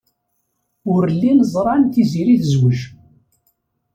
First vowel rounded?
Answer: yes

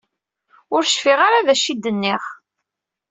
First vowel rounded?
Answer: yes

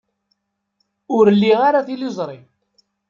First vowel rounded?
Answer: yes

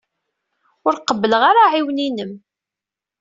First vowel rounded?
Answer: yes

